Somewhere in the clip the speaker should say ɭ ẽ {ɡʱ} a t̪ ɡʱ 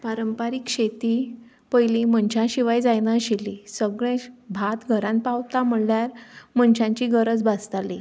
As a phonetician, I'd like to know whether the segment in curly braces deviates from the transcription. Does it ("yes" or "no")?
yes